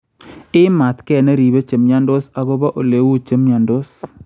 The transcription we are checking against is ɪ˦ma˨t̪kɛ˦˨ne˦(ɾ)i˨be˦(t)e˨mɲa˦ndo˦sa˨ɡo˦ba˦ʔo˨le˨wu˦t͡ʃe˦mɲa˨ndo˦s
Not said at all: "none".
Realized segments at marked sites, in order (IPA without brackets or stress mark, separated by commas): ɾ, t͡ʃ